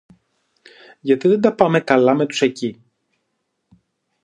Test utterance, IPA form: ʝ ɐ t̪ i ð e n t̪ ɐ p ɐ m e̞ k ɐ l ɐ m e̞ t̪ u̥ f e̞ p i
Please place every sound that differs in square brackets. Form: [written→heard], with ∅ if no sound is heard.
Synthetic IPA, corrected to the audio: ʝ ɐ t̪ i ð e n [t̪→d̪] ɐ p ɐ m e̞ k ɐ l ɐ m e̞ t̪ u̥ [f→s] e̞ [p→c] i